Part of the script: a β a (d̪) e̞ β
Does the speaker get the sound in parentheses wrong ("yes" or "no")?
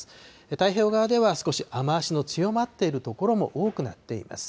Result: no